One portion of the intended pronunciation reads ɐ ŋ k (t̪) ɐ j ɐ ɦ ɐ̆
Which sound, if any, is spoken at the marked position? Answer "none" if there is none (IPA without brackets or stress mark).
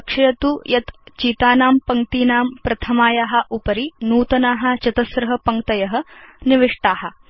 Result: t̪